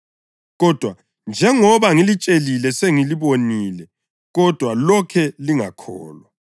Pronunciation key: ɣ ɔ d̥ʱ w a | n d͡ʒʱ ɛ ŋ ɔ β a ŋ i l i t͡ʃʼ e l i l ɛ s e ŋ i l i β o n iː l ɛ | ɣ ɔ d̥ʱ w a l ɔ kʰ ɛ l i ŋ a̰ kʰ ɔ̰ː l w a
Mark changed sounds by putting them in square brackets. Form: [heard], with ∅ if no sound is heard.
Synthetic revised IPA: ɣ ɔ d̥ʱ w a | n d͡ʒʱ ɛ ŋ ɔ β a ŋ i l i t͡ʃʼ e l i l ɛ s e ŋ i l i β o n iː l ɛ | ɣ ɔ d̥ʱ w a l ɔ kʰ ɛ l i ŋ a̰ kʰ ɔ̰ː l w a